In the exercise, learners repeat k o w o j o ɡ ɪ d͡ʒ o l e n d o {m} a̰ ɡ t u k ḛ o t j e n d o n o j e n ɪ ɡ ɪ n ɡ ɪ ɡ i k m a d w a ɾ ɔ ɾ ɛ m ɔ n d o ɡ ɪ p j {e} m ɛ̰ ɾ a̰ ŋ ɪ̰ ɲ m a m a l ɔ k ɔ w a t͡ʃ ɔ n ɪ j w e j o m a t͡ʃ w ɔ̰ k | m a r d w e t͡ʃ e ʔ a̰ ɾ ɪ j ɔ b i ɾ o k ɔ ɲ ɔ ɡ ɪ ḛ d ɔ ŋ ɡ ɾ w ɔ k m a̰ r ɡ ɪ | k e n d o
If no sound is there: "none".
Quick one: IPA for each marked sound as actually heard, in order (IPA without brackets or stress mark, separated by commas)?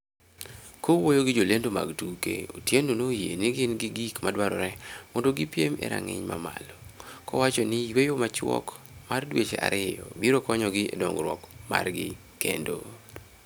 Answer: m, e